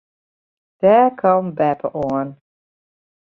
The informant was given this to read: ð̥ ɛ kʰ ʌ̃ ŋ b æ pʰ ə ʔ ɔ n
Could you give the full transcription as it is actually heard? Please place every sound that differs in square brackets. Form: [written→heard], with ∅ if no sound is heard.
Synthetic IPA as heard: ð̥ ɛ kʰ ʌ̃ [ŋ→m] b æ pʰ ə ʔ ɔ n